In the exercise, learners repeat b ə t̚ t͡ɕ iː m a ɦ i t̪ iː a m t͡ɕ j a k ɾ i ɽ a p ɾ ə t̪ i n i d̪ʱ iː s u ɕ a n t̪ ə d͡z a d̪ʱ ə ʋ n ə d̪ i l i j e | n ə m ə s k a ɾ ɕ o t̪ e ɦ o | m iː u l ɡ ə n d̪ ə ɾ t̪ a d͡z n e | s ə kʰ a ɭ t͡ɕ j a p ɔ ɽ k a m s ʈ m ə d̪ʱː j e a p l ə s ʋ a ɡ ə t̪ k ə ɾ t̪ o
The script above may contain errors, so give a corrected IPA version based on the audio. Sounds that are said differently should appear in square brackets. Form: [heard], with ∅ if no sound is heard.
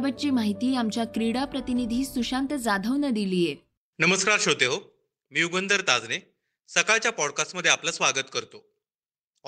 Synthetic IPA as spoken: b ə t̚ t͡ɕ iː m a ɦ i t̪ iː a m t͡ɕ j a k ɾ i ɽ a p ɾ ə t̪ i n i d̪ʱ iː s u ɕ a n t̪ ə d͡z a d̪ʱ ə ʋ n ə d̪ i l i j e | n ə m ə s k a ɾ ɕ o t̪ e ɦ o | m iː u [∅] ɡ ə n d̪ ə ɾ t̪ a d͡z n e | s ə [k] a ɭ t͡ɕ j a p ɔ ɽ k a [∅] s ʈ m ə d̪ʱː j e a p l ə s ʋ a ɡ ə t̪ k ə ɾ t̪ o